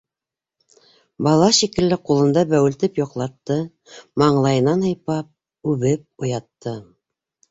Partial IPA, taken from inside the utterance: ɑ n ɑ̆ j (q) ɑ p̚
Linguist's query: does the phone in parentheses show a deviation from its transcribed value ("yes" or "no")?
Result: yes